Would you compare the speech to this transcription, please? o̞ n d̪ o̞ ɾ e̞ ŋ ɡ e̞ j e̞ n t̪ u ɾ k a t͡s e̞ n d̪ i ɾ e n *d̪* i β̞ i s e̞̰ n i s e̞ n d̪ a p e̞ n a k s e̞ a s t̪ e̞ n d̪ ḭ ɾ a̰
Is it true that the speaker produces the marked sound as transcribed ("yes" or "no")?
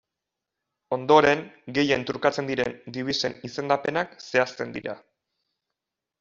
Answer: yes